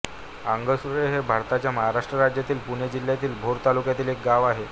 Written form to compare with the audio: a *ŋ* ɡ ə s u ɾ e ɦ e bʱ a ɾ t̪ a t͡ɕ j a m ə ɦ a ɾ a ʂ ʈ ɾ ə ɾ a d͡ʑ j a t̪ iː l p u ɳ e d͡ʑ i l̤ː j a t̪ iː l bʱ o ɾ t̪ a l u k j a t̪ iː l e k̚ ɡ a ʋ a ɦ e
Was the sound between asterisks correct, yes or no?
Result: yes